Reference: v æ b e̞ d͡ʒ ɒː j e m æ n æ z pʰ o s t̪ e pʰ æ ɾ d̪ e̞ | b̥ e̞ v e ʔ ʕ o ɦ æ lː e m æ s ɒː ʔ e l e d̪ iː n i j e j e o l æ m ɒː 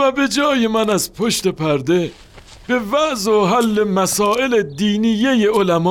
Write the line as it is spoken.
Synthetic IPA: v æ b e̞ d͡ʒ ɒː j e m æ n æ z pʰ o ʃ t̪ e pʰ æ ɾ d̪ e̞ | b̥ e̞ v æ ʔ z o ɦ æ lː e m æ s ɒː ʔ e l e d̪ iː n i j e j e o l æ m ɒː